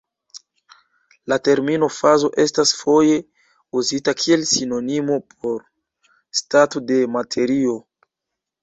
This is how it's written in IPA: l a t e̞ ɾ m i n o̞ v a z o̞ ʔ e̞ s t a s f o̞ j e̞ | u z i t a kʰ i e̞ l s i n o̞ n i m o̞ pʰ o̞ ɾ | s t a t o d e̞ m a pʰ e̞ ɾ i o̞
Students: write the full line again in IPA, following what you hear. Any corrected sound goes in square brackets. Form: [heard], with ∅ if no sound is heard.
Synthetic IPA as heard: l a t e̞ ɾ m i n o̞ [f] a z o̞ ʔ e̞ s t a s f o̞ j e̞ | u z i t a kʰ i e̞ l s i n o̞ n i m o̞ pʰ o̞ ɾ | s t a t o d e̞ m a [tʰ] e̞ ɾ i o̞